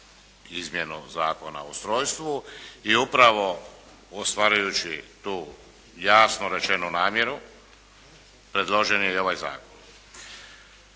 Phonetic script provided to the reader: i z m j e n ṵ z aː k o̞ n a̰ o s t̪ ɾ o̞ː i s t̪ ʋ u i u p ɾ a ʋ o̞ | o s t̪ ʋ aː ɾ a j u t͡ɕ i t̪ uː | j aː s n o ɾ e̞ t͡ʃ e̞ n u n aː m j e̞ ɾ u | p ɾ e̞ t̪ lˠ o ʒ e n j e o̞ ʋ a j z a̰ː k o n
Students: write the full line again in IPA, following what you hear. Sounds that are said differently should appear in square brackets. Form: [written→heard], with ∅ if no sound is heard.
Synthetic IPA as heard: i z m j e n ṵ z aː k o̞ n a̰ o s t̪ ɾ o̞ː [i→j] s t̪ ʋ u i u p ɾ a ʋ o̞ | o s t̪ ʋ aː ɾ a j u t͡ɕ i t̪ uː | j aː s n o ɾ e̞ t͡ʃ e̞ n u n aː m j e̞ ɾ u | p ɾ e̞ [t̪→d̪] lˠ o ʒ e n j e o̞ ʋ a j z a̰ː k o n